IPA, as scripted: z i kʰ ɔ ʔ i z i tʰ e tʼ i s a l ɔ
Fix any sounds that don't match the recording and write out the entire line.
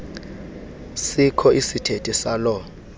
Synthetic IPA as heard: s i kʰ ɔ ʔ i s i tʰ e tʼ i s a l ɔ